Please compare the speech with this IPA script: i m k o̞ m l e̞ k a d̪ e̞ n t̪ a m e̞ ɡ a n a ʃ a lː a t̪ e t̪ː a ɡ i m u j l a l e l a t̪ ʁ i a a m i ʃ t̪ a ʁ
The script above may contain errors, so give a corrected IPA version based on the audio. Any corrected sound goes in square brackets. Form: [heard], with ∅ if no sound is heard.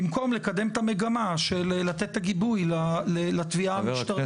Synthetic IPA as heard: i m k o̞ m l e̞ k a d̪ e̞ [m] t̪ a m e̞ ɡ a [m] a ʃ [e] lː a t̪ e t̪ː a ɡ i [b] u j l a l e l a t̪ [v] i a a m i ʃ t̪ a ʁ